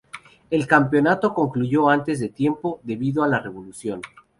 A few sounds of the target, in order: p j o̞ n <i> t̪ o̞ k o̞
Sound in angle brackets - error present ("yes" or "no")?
yes